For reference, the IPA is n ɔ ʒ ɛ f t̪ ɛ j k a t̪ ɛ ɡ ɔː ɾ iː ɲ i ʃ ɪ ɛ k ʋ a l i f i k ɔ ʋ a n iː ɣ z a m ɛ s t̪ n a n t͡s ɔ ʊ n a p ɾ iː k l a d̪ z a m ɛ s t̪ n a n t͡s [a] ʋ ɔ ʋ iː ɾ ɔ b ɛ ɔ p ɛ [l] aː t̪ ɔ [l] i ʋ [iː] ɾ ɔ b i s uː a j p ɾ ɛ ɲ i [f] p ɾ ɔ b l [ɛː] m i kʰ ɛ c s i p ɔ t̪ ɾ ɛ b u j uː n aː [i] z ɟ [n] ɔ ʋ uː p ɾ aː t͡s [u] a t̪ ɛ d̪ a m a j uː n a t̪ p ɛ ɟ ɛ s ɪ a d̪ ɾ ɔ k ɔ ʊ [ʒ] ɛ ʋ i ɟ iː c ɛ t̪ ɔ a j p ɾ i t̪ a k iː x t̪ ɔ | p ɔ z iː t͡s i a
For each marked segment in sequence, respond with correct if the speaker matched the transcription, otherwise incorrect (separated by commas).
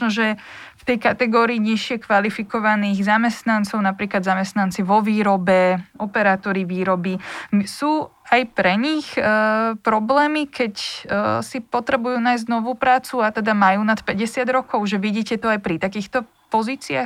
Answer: incorrect, incorrect, incorrect, correct, incorrect, correct, incorrect, correct, correct, correct